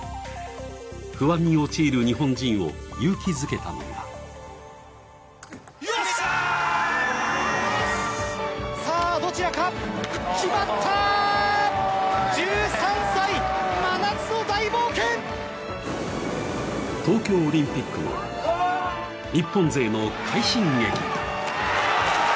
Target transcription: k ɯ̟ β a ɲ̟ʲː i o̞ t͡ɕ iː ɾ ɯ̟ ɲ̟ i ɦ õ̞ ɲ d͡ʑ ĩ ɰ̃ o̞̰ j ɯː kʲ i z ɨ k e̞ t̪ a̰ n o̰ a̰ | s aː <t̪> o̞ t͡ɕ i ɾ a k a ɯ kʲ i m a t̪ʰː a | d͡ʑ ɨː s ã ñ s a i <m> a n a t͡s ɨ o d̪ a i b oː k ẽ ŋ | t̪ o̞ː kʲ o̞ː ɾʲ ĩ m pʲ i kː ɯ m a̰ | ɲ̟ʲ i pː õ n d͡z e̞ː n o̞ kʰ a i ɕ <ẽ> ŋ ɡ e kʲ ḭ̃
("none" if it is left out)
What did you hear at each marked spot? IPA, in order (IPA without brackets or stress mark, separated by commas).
d̪, m, ĩ